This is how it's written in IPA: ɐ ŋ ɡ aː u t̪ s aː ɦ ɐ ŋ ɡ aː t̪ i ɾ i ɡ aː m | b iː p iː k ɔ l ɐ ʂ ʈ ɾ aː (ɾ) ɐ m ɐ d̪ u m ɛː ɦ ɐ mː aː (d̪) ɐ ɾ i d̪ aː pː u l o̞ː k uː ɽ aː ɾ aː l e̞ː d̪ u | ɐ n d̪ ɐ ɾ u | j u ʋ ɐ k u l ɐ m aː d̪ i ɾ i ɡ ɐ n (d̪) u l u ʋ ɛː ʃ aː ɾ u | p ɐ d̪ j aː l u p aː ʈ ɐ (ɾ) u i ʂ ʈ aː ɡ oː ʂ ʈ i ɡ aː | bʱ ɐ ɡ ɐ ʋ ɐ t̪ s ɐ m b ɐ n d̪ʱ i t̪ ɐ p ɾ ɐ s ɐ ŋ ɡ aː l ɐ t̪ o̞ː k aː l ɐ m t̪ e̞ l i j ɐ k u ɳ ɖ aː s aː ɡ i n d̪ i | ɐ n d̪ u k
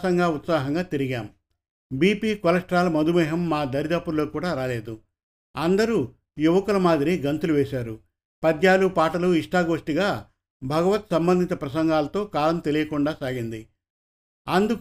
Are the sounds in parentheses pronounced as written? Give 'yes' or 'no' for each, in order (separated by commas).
no, yes, no, no